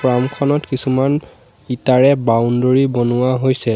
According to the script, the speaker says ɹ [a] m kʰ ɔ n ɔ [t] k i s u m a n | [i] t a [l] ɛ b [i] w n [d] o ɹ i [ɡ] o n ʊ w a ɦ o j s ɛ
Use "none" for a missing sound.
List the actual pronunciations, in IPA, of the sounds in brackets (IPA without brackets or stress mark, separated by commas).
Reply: a, t, i, ɹ, a, d, b